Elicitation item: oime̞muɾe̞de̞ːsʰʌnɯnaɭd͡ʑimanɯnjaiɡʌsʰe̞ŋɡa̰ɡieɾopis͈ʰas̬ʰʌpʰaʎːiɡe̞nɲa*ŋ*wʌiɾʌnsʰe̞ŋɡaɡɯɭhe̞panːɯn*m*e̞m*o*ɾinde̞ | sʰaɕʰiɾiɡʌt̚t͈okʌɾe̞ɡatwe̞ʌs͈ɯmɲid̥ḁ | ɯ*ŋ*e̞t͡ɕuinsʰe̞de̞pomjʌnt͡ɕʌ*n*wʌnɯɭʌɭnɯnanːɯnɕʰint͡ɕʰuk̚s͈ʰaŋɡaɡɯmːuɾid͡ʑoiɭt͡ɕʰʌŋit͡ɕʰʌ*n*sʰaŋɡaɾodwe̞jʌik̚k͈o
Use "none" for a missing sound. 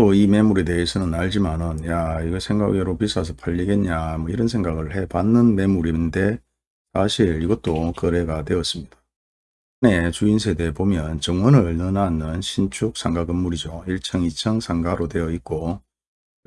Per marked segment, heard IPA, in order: m, m, u, n, ŋ, ŋ

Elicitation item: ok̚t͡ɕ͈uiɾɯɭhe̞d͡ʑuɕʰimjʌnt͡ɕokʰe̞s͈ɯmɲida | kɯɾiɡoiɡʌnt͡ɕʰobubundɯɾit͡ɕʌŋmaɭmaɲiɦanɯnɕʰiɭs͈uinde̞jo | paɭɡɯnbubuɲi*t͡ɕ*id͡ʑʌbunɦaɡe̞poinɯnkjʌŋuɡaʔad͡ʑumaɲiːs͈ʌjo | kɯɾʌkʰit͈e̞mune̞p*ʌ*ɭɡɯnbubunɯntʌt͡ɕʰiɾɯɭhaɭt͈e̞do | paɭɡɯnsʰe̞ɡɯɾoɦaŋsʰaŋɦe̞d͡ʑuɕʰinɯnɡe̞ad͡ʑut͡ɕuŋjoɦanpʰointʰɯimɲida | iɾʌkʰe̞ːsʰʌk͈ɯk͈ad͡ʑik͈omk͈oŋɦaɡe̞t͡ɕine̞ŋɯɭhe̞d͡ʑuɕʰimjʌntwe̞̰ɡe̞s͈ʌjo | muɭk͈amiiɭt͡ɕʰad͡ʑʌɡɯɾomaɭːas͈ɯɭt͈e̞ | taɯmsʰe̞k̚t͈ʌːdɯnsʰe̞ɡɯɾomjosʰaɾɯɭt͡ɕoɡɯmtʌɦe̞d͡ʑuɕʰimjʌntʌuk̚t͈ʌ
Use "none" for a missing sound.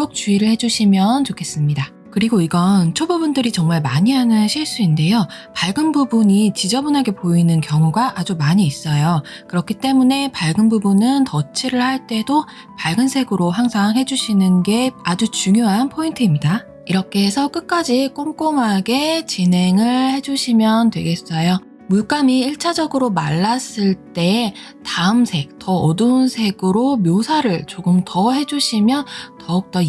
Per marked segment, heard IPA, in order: t͡ɕ, a

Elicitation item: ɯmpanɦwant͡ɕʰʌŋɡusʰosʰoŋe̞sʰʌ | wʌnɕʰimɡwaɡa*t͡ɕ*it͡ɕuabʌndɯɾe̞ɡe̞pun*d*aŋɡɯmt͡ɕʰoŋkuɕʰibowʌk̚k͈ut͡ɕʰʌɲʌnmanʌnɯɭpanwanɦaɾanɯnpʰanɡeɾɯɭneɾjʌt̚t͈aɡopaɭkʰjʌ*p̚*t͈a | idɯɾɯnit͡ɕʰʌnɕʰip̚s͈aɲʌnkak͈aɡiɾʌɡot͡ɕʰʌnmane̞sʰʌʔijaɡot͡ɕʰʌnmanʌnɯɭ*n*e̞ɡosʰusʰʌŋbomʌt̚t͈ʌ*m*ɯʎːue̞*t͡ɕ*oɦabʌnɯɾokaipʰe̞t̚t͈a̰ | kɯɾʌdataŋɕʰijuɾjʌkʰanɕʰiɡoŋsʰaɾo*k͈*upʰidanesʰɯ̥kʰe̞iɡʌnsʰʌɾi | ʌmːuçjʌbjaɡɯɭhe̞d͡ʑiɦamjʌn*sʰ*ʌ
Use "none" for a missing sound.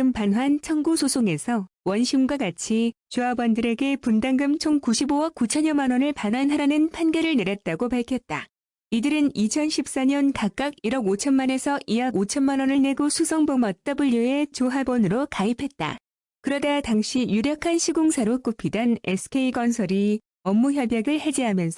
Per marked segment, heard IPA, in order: t͡ɕʰ, d, t̚, n, b, t͡ɕ, k͈, sʰ

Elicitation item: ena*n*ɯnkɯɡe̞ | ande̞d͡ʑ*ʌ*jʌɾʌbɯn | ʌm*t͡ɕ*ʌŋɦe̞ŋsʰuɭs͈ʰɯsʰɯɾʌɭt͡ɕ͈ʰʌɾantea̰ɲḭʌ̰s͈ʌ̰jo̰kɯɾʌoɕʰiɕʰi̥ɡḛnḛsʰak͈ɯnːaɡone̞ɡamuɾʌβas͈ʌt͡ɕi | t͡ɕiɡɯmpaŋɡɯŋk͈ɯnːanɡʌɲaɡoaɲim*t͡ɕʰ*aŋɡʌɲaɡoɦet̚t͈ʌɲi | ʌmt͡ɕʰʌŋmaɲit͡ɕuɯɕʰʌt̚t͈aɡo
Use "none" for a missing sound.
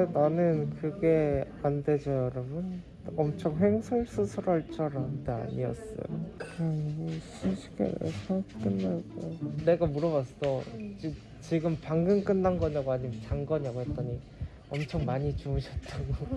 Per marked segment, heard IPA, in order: n, ʌ, t͡ɕʰ, t͡ɕ

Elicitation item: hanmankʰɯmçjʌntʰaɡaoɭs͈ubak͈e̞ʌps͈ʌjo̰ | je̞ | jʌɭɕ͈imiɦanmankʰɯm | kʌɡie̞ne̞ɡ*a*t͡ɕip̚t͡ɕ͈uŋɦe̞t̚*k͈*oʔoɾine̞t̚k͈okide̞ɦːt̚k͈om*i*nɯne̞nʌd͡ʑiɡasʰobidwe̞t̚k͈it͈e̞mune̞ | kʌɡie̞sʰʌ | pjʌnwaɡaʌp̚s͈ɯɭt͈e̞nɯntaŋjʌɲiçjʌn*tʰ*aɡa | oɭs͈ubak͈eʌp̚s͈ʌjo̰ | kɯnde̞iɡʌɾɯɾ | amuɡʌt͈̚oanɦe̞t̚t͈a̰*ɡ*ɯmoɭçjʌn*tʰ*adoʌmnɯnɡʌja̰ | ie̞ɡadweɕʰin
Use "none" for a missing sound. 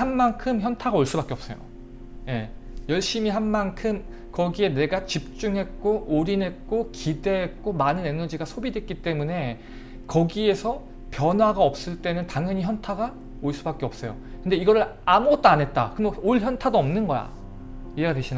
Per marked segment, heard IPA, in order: a, k͈, a, tʰ, k, tʰ

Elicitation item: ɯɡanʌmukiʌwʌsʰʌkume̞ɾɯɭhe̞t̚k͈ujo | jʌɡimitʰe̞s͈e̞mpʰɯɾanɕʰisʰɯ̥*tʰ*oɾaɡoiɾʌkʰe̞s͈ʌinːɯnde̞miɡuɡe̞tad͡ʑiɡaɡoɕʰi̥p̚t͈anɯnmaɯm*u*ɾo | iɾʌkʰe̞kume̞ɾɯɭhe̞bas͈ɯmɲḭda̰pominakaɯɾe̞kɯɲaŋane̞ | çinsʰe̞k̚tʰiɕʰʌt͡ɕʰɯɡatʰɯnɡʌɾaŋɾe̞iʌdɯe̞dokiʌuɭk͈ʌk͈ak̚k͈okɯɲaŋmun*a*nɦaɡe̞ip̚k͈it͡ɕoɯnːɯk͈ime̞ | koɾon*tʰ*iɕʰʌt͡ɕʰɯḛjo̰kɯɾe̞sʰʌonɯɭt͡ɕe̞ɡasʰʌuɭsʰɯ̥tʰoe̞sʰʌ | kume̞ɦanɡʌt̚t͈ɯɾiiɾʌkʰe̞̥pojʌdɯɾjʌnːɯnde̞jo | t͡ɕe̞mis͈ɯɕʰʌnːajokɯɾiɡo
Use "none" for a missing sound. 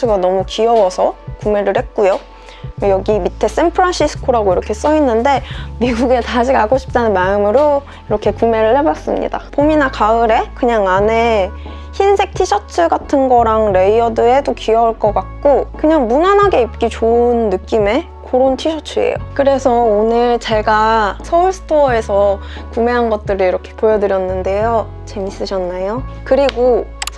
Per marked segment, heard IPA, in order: kʰ, ɯ, a, tʰ

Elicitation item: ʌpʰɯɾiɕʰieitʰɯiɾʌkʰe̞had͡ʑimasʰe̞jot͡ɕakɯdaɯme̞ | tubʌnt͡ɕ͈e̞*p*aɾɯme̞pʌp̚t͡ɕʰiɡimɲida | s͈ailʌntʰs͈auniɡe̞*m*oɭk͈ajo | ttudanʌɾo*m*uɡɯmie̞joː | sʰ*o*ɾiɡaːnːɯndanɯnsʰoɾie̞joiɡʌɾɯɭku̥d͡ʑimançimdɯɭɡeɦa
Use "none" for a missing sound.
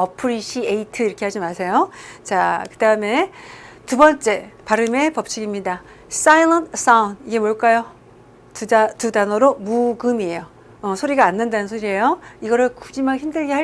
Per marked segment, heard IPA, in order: p, m, m, o

